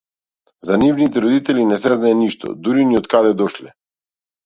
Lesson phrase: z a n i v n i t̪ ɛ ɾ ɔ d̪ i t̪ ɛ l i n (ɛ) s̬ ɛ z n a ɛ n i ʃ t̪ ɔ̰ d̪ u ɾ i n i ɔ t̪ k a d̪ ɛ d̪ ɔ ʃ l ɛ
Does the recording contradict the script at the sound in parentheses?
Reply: no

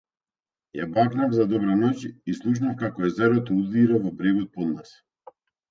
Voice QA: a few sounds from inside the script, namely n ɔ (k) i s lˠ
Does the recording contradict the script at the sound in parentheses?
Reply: yes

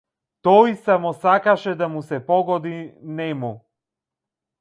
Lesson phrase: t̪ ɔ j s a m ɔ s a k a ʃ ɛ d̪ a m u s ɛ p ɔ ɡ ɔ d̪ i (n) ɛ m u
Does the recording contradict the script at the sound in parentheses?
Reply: no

